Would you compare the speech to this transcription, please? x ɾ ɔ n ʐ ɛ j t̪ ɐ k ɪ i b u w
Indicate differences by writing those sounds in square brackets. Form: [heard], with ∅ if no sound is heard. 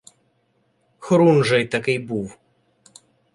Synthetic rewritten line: x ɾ [u] n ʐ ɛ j t̪ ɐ k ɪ [j] b u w

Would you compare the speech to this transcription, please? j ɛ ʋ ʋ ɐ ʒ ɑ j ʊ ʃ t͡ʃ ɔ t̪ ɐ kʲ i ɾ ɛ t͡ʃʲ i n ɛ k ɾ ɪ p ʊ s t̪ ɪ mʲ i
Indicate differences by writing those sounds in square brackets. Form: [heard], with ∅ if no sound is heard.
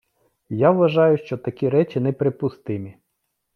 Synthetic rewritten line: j [a] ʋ ʋ ɐ ʒ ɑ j ʊ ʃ t͡ʃ ɔ t̪ ɐ kʲ i ɾ ɛ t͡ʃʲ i n ɛ [p] ɾ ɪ p ʊ s t̪ ɪ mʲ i

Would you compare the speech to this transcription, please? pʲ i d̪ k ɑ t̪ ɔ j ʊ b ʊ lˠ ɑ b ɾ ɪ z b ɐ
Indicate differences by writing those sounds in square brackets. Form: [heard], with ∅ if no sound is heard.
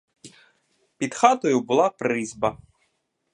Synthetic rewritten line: pʲ i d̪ [x] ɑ t̪ ɔ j ʊ b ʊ lˠ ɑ [p] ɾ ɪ z b ɐ

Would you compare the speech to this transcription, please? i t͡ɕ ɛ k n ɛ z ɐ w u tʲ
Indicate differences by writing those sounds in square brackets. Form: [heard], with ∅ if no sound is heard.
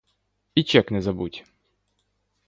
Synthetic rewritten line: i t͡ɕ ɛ k n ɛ z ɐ [b] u tʲ

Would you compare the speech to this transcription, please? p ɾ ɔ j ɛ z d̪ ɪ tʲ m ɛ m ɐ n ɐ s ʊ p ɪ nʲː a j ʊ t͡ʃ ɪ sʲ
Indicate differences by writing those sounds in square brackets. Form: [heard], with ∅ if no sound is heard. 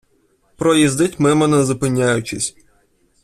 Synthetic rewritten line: p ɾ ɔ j [i] z d̪ ɪ tʲ m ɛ m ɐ n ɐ [z] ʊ p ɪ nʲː a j ʊ t͡ʃ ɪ sʲ

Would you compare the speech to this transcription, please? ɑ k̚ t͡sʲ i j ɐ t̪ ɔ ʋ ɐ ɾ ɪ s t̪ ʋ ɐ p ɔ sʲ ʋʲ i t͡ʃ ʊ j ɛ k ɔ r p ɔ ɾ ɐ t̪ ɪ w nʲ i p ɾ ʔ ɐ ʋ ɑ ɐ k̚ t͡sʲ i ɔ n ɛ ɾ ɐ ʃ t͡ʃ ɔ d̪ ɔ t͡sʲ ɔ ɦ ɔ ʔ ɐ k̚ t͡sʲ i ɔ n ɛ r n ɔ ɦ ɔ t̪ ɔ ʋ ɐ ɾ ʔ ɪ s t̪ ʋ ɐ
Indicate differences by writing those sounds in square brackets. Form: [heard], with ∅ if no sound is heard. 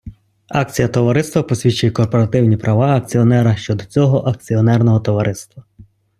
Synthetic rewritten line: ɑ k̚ t͡sʲ i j ɐ t̪ ɔ ʋ ɐ ɾ ɪ s t̪ ʋ ɐ p ɔ sʲ ʋʲ i t͡ʃ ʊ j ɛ k ɔ r p ɔ ɾ ɐ t̪ ɪ w nʲ i p ɾ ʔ ɐ ʋ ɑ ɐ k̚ t͡sʲ i ɔ n ɛ ɾ ɐ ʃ t͡ʃ ɔ d̪ ɔ t͡sʲ ɔ ɦ ɔ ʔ ɐ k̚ t͡sʲ i ɔ n ɛ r n ɔ ɦ ɔ t̪ ɔ ʋ ɐ ɾ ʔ ɪ s t̪ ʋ ɐ

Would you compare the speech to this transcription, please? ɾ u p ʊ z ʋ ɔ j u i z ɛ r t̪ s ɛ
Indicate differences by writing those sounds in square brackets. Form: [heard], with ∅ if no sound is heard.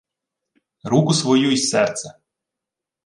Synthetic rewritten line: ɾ u [k] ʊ [s] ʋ ɔ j u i [s] ɛ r t̪ s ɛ

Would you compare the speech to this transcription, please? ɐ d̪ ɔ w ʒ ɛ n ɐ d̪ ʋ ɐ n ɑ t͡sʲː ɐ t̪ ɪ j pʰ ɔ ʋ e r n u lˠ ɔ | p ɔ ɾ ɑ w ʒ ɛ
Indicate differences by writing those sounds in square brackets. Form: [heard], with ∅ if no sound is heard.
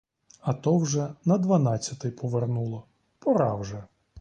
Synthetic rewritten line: ɐ [t̪] ɔ w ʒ ɛ n ɐ d̪ ʋ ɐ n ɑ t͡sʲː ɐ t̪ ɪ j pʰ ɔ ʋ e r n u lˠ ɔ | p ɔ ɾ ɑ w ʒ ɛ

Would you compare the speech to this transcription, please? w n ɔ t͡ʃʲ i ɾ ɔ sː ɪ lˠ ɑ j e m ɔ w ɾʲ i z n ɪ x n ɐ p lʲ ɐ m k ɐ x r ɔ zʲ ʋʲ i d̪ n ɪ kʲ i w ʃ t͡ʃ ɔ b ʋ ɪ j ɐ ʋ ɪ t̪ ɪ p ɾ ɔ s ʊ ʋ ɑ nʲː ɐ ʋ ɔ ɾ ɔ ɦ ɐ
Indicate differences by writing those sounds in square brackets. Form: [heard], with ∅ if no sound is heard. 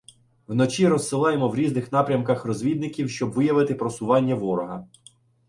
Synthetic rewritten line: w n ɔ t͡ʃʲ i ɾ ɔ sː ɪ lˠ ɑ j e m ɔ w ɾʲ i z n ɪ x n [ɑ] p [ɾʲ] ɐ m k ɐ x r ɔ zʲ ʋʲ i d̪ n ɪ kʲ i w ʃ t͡ʃ ɔ b ʋ ɪ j ɐ ʋ ɪ t̪ ɪ p ɾ ɔ s ʊ ʋ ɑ nʲː ɐ ʋ ɔ ɾ ɔ ɦ ɐ

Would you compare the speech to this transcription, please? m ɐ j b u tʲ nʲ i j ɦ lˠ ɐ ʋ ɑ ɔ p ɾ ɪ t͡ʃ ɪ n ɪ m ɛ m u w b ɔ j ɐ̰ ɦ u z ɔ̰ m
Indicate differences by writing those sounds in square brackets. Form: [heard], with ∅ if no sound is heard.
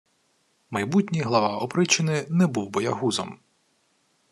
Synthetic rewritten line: m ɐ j b u tʲ nʲ i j ɦ lˠ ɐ ʋ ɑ ɔ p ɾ ɪ t͡ʃ ɪ n ɪ [n] ɛ [b] u w b ɔ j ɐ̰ ɦ u z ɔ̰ m

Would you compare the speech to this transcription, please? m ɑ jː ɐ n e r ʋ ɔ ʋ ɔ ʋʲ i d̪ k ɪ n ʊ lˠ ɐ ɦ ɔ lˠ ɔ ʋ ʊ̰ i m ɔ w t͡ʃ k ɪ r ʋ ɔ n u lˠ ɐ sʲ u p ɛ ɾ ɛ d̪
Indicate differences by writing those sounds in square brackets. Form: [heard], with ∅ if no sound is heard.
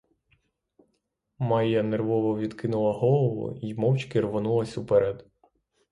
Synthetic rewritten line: m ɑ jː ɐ n e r ʋ ɔ ʋ ɔ ʋʲ i d̪ k ɪ n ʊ lˠ ɐ ɦ ɔ lˠ ɔ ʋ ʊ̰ i m ɔ w t͡ʃ k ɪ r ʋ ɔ n u lˠ ɐ sʲ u p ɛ ɾ ɛ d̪

